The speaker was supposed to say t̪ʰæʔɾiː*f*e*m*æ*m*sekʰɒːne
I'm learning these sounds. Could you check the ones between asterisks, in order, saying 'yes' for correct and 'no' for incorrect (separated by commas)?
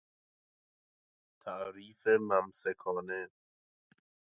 yes, yes, yes